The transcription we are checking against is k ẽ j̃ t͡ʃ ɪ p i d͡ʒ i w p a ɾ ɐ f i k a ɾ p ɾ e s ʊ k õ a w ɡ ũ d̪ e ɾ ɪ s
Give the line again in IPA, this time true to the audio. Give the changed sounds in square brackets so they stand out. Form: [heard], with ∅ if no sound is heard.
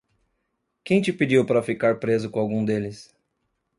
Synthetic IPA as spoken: k ẽ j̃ t͡ʃ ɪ p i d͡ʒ i w p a ɾ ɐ f i k a ɾ p ɾ e [z] ʊ k õ a w ɡ ũ d̪ e [l] ɪ s